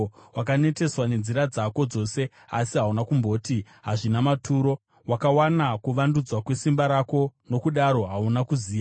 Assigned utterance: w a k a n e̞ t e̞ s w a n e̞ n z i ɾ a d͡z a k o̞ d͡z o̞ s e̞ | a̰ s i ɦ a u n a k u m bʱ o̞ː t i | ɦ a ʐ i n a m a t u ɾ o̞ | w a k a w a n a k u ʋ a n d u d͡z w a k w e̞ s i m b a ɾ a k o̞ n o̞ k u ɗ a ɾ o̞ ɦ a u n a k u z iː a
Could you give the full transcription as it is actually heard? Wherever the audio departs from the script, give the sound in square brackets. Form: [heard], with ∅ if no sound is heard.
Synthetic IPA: w a k a n e̞ t e̞ s w a n e̞ n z i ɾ a d͡z a k o̞ d͡z o̞ s e̞ | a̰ s i ɦ a u n a k u m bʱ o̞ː t i | ɦ a ʐ i n a m a t u ɾ o̞ | w a k a w a n a k u ʋ a n d u d͡z w a k w e̞ s i m b a ɾ a k o̞ n o̞ k u ɗ a ɾ o̞ ɦ a u n a k u z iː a